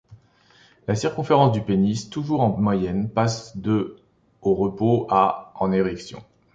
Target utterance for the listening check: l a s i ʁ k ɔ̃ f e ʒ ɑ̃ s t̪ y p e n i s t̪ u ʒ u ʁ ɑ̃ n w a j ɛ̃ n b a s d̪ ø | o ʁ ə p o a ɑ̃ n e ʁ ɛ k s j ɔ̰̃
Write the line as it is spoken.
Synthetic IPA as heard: l a s i ʁ k ɔ̃ f e ʁ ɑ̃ s d̪ y p e n i s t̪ u ʒ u ʁ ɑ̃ m w a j ɛ n p a s d̪ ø | o ʁ ə p o a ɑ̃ n e ʁ ɛ k s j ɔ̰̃

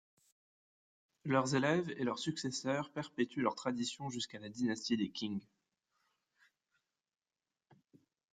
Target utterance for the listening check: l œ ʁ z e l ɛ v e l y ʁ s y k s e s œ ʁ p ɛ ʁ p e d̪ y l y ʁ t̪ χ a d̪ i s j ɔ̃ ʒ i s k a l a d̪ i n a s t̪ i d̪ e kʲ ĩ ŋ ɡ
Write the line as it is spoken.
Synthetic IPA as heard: l œ ʁ z e l ɛ v e l œ ʁ s y k s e s œ ʁ p ɛ ʁ p e t̪ y l œ ʁ t̪ χ a d̪ i s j ɔ̃ ʒ y s k a l a d̪ i n a s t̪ i d̪ e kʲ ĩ ŋ ɡ

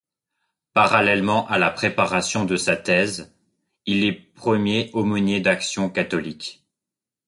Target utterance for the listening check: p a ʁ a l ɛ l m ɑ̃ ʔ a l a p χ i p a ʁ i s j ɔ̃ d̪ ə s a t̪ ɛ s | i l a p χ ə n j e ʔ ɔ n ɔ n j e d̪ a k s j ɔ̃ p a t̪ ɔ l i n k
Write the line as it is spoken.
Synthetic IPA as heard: p a ʁ a l ɛ l m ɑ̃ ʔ a l a p χ e p a ʁ a s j ɔ̃ d̪ ə s a t̪ ɛ z | i l ɛ p χ ə m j e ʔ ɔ m ɔ n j e d̪ a k s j ɔ̃ k a t̪ ɔ l i k

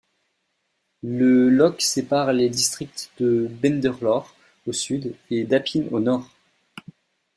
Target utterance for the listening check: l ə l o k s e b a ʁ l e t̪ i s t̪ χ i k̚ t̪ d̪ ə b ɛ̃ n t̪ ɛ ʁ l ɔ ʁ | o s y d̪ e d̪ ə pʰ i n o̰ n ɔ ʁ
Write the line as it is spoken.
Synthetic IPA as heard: l ə l ɔ k s e p a ʁ l e d̪ i s t̪ χ i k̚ t̪ d̪ ə b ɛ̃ n d̪ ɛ ʁ l ɔ ʁ | o s y d̪ e d̪ a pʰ i n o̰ n ɔ ʁ

